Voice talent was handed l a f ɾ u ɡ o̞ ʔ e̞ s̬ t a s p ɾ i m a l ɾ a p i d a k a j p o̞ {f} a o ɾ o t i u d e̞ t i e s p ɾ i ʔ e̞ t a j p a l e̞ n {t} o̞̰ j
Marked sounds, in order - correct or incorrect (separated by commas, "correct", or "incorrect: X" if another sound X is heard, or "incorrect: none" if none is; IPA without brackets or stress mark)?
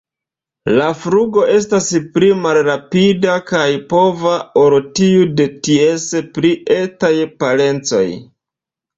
incorrect: v, incorrect: t͡s